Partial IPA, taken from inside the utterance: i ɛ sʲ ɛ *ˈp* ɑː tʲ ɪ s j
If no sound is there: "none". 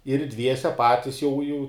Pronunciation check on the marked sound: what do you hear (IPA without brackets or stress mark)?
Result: p